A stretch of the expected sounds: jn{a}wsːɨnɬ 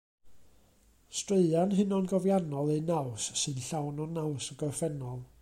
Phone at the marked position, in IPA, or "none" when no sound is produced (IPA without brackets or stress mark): a